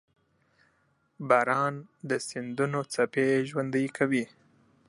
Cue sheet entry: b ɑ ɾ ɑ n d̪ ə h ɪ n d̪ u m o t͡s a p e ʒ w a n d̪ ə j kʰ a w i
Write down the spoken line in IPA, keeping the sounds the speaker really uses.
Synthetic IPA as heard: b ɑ ɾ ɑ n d̪ ə s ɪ n d̪ u n o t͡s a p e ʒ w a n d̪ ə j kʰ a w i